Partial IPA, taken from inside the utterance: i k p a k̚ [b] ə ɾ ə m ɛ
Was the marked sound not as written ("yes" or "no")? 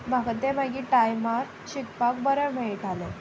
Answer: no